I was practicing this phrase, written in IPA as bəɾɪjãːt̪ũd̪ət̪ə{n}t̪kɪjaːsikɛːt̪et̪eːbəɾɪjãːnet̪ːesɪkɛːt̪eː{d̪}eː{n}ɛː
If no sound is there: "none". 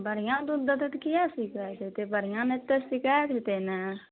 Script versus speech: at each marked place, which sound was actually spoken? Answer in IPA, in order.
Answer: none, t̪, n

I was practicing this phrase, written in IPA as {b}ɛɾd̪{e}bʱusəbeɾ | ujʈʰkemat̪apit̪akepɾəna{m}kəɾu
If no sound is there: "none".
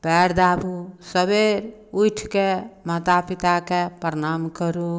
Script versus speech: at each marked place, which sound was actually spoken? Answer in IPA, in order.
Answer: p, a, m

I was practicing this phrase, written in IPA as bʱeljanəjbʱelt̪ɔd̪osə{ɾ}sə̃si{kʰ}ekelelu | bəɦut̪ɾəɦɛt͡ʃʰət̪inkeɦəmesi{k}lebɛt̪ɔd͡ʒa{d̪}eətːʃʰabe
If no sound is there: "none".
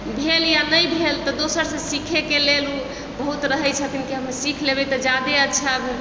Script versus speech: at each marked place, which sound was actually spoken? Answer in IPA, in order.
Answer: ɾ, kʰ, kʰ, d̪

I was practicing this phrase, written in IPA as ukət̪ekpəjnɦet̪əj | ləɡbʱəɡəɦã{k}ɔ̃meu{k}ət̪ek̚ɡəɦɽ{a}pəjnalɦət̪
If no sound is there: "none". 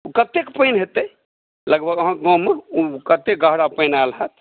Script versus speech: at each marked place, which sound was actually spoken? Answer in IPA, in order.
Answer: ɡ, k, a

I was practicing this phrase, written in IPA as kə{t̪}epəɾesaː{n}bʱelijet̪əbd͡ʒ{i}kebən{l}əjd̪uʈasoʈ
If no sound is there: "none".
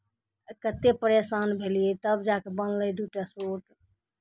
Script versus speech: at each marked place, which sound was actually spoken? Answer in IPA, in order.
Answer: t̪, n, a, l

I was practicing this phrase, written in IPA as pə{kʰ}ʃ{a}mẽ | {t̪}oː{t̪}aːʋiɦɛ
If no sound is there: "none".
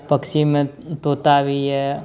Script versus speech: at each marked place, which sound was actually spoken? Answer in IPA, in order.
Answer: k, i, t̪, t̪

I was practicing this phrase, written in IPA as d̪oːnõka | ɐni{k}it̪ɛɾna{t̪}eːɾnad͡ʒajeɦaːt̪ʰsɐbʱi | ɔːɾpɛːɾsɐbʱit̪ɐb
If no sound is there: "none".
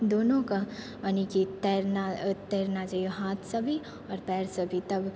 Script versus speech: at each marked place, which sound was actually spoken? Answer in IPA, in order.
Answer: k, t̪

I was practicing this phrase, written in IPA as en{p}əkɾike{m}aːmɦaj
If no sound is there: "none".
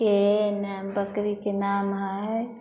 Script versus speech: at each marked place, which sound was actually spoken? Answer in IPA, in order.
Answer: b, n

